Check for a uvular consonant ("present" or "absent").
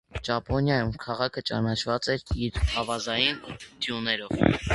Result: present